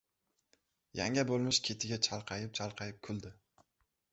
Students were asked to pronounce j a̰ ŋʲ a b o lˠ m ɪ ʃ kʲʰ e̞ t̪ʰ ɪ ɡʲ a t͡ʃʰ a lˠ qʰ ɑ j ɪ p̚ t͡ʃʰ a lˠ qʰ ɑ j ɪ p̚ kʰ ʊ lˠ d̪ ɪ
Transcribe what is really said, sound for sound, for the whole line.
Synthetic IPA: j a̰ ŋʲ a b o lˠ m ɪ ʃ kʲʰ e̞ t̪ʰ ɪ ɡʲ a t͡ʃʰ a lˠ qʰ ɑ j ɪ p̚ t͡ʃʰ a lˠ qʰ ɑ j ɪ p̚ kʰ ʊ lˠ d̪ ɪ